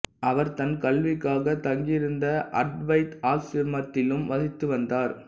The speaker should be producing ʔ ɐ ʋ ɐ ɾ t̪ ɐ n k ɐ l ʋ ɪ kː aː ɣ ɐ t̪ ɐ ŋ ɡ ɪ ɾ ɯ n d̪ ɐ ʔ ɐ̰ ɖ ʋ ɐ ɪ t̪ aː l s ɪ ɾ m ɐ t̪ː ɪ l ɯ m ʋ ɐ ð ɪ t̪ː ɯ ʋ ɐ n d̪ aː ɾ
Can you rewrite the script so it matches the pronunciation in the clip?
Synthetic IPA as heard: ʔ ɐ ʋ ɐ ɾ t̪ ɐ n k ɐ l ʋ ɪ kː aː ɣ ɐ t̪ ɐ ŋ ɡ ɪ ɾ ɯ n d̪ ɐ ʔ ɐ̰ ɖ ʋ ɐ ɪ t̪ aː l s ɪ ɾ m ɐ t̪ː ɪ l ɯ m ʋ ɐ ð ɪ t̪ː ɯ ʋ ɐ n d̪ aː ɾ